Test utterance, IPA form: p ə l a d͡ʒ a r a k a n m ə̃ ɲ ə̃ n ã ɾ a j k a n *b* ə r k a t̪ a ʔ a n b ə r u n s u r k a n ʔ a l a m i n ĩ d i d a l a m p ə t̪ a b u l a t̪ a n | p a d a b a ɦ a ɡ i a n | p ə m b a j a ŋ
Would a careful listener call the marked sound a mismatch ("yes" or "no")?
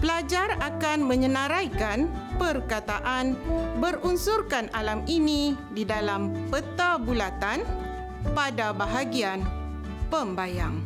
yes